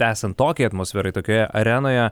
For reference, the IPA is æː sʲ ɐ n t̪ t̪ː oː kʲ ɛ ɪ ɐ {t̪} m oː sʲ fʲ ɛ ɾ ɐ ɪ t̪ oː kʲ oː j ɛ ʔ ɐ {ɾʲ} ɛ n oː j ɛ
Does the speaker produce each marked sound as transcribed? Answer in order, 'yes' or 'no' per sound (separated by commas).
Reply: yes, yes